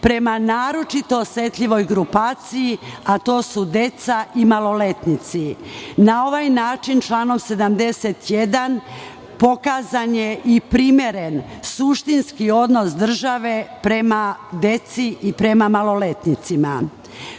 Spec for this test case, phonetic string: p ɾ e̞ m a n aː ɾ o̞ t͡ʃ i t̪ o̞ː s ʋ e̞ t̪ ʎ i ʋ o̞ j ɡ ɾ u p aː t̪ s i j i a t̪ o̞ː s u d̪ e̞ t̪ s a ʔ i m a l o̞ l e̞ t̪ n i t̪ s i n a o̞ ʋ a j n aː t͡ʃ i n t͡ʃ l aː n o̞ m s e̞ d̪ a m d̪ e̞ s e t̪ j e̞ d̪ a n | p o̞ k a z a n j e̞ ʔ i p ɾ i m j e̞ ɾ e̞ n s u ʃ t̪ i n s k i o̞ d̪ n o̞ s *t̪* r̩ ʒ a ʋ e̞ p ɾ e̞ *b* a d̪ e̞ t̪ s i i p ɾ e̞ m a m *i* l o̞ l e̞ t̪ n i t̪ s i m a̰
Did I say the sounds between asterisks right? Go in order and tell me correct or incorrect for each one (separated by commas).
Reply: incorrect, incorrect, incorrect